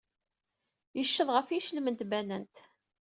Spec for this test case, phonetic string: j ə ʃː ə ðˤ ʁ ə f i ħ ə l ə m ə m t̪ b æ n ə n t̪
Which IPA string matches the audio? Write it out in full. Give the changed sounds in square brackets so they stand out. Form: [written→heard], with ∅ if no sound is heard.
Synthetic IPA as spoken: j ə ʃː ə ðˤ ʁ ə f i [ħ→ʃ] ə l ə m ə [m→n] t̪ b æ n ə n t̪